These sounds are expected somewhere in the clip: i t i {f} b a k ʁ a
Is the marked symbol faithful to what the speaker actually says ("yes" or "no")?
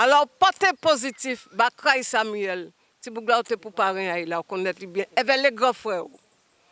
yes